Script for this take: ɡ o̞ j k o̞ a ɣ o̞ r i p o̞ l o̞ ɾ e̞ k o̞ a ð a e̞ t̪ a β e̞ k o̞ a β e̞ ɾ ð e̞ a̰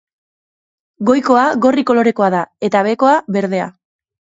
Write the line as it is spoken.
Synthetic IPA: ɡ o̞ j k o̞ a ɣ o̞ r i k o̞ l o̞ ɾ e̞ k o̞ a ð a e̞ t̪ a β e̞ k o̞ a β e̞ ɾ ð e̞ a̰